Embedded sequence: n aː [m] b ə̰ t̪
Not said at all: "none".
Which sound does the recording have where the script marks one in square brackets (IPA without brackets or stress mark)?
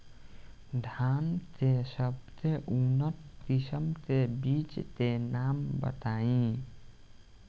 m